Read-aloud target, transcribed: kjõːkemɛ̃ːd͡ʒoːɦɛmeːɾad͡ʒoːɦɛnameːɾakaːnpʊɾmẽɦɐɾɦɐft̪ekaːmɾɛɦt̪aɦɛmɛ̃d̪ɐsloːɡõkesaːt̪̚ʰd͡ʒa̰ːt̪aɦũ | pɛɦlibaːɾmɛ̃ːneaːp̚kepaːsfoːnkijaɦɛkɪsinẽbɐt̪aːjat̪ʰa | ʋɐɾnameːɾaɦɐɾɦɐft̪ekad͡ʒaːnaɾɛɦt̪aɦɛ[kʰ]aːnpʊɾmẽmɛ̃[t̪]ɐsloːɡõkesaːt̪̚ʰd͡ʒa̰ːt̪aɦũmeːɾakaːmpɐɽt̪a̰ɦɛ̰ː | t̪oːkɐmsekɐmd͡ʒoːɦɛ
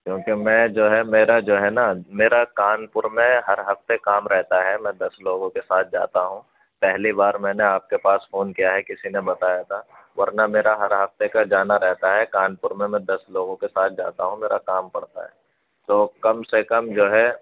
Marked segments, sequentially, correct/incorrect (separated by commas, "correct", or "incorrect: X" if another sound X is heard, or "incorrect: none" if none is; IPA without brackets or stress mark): incorrect: k, incorrect: d̪